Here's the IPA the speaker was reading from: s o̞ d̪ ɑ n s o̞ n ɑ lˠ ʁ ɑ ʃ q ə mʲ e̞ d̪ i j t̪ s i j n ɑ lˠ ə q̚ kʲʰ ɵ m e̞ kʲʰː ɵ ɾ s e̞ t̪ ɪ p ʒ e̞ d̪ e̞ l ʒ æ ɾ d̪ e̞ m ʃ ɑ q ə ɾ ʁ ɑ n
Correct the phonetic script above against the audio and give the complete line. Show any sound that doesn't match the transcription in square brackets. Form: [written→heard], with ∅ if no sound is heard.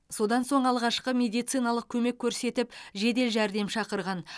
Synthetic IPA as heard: s o̞ d̪ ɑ n s o̞ [n→ɴ] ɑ lˠ ʁ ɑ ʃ q ə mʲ e̞ d̪ i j t̪ s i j n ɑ lˠ ə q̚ kʲʰ ɵ m e̞ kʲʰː ɵ ɾ s e̞ t̪ ɪ p ʒ e̞ d̪ e̞ l ʒ æ ɾ d̪ e̞ m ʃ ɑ q ə ɾ ʁ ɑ n